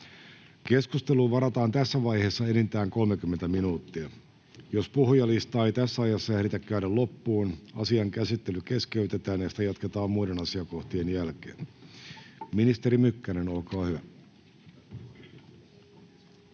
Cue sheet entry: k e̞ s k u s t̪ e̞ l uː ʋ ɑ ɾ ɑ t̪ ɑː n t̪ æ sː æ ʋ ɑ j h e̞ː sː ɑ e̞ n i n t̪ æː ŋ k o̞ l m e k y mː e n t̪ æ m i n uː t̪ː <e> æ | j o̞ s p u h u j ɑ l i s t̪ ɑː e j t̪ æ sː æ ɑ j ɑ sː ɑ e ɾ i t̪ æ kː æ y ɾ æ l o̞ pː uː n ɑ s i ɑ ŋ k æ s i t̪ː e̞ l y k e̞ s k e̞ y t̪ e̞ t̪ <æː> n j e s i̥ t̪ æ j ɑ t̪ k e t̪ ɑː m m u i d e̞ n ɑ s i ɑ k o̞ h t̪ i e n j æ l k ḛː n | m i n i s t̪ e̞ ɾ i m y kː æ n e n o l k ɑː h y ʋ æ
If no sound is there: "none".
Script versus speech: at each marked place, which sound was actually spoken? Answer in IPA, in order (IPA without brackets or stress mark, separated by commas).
i, æː